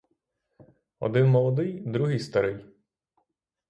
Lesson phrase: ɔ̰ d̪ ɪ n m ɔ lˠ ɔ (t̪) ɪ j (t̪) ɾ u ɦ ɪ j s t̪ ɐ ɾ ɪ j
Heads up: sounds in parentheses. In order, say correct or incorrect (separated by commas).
incorrect, incorrect